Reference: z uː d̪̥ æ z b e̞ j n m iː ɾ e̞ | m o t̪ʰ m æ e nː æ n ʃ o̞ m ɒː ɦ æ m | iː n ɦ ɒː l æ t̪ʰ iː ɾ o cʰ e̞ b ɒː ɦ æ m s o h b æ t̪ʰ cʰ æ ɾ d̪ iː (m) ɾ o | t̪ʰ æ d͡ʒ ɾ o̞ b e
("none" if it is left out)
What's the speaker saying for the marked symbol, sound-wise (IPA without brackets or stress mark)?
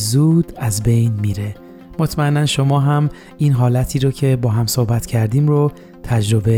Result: m